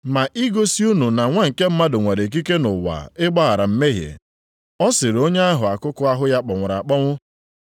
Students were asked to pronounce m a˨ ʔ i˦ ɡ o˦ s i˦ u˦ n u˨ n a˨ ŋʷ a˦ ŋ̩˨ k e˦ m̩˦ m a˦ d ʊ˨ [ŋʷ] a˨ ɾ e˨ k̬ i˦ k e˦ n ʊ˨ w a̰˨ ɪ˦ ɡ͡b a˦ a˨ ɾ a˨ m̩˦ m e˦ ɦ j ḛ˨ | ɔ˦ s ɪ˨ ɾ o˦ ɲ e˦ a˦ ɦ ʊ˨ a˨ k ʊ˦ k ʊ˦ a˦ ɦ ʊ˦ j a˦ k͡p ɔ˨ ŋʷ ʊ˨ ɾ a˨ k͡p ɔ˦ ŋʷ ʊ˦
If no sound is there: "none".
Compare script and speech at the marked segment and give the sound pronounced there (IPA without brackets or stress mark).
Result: ŋʷ